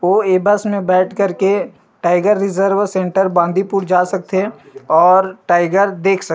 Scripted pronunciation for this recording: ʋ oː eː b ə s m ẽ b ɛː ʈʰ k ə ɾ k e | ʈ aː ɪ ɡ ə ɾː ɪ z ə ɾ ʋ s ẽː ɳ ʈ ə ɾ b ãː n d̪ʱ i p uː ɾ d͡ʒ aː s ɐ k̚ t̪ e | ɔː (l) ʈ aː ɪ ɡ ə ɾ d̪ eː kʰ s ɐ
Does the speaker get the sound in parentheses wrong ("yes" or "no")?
yes